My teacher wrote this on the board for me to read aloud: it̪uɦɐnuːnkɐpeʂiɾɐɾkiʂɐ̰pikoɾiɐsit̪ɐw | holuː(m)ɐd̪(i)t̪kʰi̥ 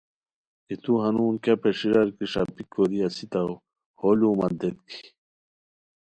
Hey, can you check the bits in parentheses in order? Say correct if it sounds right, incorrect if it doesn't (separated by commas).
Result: correct, incorrect